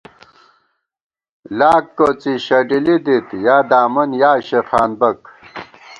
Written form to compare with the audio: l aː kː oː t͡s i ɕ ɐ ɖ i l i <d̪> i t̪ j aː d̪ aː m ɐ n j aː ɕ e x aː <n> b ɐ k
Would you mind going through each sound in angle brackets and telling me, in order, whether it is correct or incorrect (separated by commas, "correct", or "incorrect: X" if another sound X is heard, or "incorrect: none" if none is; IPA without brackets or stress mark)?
correct, correct